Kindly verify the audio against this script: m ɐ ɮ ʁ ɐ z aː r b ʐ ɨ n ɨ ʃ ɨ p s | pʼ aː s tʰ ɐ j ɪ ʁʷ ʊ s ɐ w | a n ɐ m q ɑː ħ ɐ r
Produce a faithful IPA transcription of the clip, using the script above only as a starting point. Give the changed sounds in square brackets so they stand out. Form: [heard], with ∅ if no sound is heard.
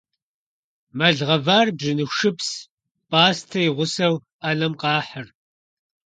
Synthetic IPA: m ɐ ɮ ʁ ɐ [v] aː r b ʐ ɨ n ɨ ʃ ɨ p s | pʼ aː s tʰ ɐ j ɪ ʁʷ ʊ s ɐ w | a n ɐ m q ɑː ħ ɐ r